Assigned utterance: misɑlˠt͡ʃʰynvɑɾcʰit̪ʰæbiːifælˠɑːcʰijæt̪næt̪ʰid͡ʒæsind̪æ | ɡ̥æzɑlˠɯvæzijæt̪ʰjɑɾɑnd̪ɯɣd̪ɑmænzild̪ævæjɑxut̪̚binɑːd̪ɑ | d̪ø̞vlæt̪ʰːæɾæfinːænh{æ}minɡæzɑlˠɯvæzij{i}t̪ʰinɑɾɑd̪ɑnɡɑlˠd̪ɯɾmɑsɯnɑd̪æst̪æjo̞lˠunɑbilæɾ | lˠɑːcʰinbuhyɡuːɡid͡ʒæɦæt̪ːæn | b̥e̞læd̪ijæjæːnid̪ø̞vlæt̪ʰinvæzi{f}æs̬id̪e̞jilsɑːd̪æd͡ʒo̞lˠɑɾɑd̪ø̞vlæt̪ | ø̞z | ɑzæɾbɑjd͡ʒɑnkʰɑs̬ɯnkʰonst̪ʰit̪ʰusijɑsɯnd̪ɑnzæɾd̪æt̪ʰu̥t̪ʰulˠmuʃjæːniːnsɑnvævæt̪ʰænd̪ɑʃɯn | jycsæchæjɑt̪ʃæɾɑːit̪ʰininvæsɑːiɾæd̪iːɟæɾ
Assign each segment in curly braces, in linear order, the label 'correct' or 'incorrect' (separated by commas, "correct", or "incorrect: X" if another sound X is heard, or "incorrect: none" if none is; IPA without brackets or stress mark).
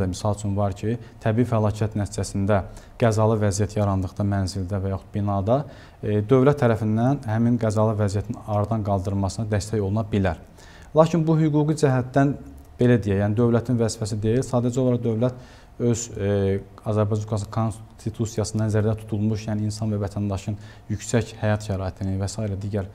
correct, incorrect: æ, correct